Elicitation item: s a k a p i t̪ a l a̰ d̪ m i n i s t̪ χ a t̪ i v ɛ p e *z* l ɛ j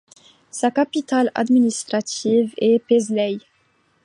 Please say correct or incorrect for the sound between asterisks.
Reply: correct